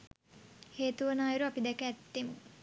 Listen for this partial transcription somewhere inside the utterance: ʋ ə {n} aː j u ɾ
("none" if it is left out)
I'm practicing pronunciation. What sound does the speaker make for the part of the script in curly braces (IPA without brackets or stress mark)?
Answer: n